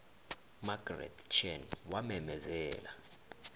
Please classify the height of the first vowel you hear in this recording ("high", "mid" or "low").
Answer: low